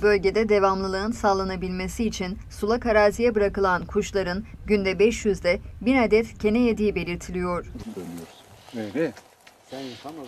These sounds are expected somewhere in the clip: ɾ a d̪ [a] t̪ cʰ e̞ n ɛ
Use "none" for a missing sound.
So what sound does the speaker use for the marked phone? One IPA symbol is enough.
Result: ɛ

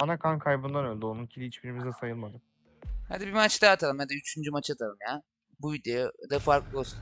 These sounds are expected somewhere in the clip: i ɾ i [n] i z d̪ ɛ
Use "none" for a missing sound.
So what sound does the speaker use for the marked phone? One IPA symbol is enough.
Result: m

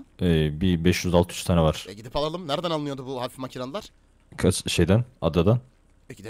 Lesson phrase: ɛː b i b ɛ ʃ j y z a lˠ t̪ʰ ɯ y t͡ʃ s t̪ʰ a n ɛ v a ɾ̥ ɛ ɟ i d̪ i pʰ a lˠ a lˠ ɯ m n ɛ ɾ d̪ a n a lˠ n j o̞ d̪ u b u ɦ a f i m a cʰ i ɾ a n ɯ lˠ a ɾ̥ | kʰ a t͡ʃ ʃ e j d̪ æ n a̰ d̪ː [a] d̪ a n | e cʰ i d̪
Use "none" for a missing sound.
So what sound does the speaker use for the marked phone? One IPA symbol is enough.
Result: a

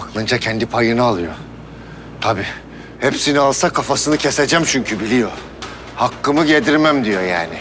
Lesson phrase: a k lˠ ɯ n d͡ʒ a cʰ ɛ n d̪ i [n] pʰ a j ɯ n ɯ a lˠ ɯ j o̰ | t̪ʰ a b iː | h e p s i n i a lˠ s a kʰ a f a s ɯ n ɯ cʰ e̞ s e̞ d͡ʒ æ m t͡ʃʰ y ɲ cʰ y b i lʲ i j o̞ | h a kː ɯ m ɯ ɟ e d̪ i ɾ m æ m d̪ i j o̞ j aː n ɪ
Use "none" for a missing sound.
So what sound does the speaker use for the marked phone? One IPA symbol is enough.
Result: none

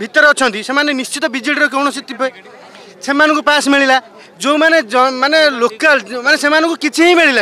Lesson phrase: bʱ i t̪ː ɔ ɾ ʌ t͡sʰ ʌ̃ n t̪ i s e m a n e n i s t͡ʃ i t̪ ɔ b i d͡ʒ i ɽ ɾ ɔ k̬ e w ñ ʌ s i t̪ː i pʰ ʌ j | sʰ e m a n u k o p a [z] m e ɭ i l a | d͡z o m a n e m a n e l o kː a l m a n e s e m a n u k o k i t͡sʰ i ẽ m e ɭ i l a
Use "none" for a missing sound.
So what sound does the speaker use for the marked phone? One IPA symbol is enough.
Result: s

